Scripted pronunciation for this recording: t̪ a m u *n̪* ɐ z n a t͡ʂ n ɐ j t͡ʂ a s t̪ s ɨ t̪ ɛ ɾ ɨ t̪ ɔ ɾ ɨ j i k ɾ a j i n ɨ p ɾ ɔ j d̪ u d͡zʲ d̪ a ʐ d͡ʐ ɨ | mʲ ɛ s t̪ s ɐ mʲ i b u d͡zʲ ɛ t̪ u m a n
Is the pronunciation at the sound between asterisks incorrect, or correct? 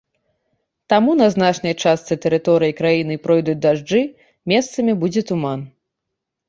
correct